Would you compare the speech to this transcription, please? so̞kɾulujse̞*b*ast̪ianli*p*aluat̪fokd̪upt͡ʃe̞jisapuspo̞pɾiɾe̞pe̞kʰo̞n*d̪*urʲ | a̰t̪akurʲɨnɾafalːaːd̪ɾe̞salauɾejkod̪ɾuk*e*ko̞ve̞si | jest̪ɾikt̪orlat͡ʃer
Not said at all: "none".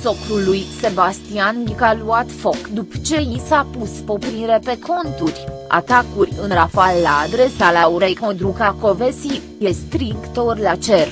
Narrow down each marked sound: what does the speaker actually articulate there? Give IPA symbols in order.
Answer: b, k, t̪, a

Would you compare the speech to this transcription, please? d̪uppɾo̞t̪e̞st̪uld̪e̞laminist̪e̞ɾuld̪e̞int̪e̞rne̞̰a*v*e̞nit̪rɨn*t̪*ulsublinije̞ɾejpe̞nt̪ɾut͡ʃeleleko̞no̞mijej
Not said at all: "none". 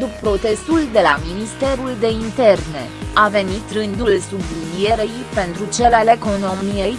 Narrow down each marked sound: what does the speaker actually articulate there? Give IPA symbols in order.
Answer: v, d̪

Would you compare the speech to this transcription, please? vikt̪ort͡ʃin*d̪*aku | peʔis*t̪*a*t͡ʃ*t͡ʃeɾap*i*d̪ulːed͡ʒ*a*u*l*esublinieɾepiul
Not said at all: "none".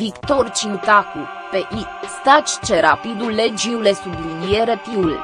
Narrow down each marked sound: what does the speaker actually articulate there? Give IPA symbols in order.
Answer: t̪, t̪, t͡ʃ, i, i, l

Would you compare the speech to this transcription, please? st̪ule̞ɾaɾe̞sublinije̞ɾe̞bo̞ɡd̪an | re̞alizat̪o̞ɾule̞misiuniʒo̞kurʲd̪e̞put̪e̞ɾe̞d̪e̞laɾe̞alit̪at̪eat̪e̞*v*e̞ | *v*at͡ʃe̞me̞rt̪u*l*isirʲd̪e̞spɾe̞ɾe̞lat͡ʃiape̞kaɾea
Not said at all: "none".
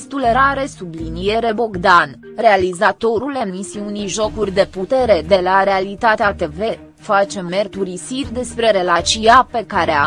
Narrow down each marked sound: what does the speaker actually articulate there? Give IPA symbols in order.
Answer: v, f, ɾ

